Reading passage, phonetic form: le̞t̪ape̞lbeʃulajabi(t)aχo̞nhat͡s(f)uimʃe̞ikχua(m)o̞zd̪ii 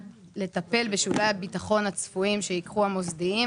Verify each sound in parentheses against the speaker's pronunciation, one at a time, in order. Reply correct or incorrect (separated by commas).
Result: correct, correct, correct